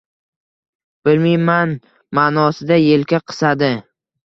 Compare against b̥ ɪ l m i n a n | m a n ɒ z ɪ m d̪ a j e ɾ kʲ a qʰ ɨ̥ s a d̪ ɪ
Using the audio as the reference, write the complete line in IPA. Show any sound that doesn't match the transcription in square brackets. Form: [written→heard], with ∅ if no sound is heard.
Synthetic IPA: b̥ ɪ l m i [n→m] a n | m a n ɒ [z→s] ɪ [m→∅] d̪ a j e [ɾ→l] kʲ a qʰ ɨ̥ s a d̪ ɪ